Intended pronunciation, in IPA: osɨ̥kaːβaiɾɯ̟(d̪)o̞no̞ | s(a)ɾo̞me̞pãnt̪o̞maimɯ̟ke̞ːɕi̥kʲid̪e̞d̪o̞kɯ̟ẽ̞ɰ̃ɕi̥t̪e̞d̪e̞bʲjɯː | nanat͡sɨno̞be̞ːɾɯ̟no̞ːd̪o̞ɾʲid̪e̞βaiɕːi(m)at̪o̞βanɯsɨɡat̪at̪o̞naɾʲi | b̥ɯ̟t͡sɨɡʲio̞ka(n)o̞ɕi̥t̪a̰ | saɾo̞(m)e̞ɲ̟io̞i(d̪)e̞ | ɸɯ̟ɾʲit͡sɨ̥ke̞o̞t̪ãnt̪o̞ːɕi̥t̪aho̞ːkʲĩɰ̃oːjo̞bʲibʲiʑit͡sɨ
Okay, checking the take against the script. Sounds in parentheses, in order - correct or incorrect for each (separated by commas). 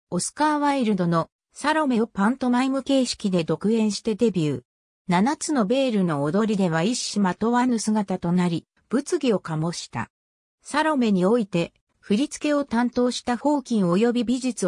correct, correct, correct, incorrect, correct, incorrect